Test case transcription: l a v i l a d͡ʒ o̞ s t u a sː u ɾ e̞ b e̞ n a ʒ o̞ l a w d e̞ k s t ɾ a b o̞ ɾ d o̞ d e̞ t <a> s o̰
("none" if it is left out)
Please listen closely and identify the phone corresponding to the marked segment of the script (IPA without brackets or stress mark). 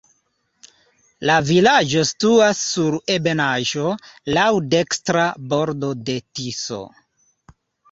i